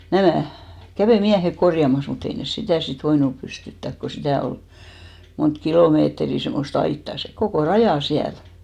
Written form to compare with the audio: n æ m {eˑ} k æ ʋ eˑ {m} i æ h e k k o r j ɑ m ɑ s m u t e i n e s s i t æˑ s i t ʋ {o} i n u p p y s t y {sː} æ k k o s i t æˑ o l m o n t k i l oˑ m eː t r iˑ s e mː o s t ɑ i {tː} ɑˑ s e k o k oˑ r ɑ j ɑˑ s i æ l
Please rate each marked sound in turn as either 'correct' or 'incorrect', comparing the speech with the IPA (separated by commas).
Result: incorrect, correct, correct, incorrect, correct